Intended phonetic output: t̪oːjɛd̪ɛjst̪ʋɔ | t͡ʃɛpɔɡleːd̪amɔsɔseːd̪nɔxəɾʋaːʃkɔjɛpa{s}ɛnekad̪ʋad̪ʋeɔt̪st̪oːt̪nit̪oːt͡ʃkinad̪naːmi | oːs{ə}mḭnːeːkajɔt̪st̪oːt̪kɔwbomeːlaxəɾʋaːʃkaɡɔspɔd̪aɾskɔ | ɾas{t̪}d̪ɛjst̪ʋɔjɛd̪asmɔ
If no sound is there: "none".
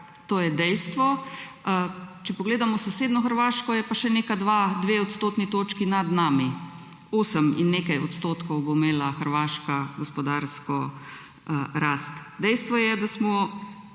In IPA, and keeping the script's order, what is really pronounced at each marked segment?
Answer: ʃ, ə, t̪

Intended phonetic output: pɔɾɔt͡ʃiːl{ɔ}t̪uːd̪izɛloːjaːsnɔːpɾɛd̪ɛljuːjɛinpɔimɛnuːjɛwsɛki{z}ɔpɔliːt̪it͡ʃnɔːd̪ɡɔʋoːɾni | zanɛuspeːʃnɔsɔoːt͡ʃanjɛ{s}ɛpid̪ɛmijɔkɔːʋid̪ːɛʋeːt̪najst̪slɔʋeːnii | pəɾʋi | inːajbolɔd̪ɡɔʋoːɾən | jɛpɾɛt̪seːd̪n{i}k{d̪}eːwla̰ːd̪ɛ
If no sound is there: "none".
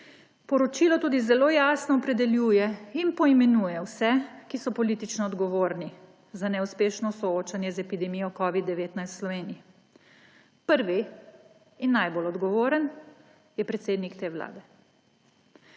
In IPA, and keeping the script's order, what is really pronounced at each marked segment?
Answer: ɔ, s, z, i, t̪

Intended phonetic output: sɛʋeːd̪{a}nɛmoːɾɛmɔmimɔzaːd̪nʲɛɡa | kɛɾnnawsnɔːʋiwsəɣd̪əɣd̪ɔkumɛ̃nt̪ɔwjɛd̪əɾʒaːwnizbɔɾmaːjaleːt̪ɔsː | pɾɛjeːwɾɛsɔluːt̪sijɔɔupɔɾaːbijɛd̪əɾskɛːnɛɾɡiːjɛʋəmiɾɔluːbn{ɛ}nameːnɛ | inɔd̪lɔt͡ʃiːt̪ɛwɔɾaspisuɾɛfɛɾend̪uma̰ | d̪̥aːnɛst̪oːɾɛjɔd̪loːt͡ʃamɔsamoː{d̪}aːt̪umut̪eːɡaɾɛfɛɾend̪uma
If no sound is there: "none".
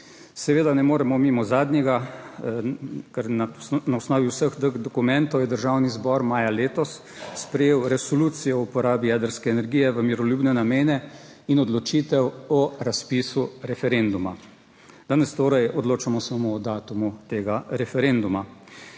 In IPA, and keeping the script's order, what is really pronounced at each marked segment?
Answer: a, ɛ, d̪

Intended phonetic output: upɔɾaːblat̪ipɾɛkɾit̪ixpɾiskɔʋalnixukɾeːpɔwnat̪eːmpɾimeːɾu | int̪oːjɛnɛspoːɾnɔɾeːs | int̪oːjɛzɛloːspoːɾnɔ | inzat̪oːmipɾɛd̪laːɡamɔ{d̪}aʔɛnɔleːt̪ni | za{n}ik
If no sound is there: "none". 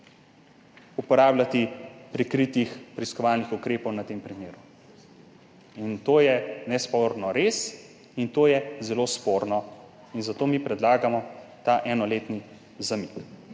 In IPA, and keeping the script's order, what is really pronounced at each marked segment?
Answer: t̪, m

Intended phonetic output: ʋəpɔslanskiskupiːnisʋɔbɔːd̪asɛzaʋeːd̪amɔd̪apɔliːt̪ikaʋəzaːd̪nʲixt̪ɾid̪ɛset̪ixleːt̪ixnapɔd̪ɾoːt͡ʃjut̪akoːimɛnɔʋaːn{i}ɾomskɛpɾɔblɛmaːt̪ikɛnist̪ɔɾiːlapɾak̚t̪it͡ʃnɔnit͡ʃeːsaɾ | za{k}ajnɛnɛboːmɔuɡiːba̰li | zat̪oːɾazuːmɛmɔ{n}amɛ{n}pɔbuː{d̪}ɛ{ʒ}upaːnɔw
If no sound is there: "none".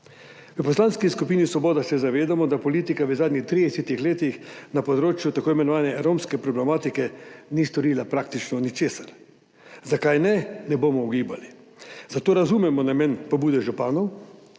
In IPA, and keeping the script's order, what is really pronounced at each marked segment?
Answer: ɛ, k, n, n, d̪, ʒ

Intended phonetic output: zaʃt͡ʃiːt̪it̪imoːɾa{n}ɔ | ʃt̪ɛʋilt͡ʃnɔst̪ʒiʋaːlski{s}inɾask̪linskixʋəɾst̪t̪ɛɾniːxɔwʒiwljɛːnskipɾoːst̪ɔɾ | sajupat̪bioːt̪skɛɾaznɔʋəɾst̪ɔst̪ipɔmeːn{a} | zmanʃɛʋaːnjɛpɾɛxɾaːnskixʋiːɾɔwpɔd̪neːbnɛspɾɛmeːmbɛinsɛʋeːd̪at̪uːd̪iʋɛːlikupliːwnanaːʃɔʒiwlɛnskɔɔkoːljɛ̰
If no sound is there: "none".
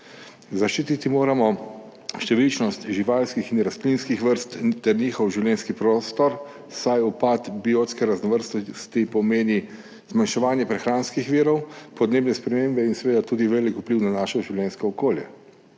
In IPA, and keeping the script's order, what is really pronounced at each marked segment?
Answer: m, x, i

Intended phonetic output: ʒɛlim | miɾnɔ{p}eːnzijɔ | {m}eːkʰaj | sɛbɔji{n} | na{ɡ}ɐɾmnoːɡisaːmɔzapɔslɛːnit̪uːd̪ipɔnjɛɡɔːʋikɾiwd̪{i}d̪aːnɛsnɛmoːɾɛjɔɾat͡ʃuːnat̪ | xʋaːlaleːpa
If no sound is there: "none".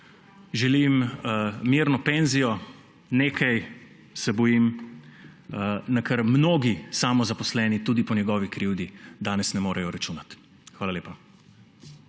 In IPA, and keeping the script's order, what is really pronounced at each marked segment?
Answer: p, n, m, k, i

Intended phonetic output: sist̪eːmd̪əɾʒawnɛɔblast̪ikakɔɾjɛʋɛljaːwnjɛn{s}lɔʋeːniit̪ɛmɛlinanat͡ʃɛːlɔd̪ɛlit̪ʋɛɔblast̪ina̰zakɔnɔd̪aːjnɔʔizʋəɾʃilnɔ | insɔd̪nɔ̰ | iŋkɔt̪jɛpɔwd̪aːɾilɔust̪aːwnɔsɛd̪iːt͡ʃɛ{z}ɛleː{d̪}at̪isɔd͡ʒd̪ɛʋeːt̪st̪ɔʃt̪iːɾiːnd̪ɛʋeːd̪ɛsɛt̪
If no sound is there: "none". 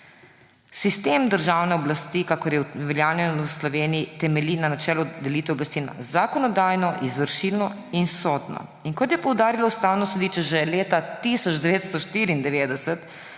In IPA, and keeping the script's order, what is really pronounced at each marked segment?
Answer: s, ʒ, t̪

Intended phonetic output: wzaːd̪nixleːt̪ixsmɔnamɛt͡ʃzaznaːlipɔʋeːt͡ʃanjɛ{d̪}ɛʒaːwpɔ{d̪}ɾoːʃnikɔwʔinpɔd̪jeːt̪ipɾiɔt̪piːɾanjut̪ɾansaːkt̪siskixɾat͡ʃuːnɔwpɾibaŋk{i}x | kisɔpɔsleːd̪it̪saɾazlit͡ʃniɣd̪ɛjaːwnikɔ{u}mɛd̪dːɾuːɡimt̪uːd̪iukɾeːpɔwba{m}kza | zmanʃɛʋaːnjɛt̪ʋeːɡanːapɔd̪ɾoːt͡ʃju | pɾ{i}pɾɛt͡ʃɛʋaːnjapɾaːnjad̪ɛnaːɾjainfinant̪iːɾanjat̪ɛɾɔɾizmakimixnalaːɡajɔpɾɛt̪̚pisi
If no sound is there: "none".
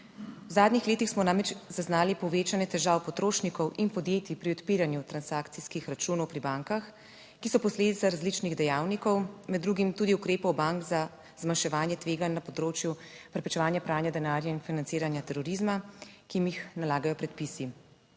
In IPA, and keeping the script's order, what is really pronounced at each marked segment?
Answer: t̪, t̪, a, w, ŋ, ɛ

